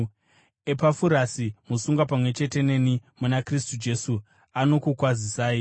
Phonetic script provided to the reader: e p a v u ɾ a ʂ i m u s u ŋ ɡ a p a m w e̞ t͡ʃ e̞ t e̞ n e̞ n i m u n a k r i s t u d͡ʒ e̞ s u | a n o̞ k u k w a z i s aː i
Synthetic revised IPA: e p a f u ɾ a s i m u s u ŋ ɡ a p a m w e̞ t͡ʃ e̞ t e̞ n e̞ n i m u n a k r i s t u d͡ʒ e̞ s u | a n o̞ k u k w a z i s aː i